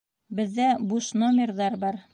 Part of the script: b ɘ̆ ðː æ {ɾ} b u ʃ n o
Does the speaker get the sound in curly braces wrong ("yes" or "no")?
yes